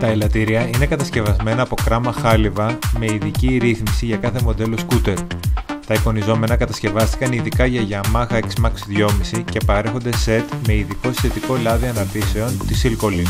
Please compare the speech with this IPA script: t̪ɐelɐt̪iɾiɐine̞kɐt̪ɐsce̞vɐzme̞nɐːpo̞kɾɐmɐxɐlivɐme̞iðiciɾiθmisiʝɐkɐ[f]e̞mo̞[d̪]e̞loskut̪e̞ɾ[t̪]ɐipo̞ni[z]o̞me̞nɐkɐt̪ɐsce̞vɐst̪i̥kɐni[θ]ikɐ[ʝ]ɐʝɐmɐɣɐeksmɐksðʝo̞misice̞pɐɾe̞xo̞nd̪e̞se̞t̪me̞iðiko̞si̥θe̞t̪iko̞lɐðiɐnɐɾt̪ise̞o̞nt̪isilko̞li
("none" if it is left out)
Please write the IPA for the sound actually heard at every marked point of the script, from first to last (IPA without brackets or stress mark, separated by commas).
θ, d̪, t̪, z, ð, ʝ